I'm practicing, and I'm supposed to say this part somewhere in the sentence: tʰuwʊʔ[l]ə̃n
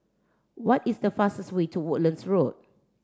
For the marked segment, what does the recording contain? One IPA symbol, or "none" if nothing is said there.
l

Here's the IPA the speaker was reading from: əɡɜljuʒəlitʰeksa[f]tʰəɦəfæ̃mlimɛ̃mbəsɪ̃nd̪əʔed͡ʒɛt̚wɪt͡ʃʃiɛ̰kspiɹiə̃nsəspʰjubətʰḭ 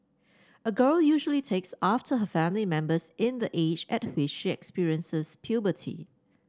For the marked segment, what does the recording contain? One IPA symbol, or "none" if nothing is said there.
f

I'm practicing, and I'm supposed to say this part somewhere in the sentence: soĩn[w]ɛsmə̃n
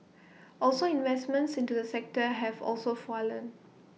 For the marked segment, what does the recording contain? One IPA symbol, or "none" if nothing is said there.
v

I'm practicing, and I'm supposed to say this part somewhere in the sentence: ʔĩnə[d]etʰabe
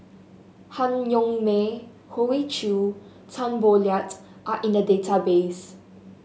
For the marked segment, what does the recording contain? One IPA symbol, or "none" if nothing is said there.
d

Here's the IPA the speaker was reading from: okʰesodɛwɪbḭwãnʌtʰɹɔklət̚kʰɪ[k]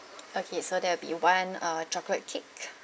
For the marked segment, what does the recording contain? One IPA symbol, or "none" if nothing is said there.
k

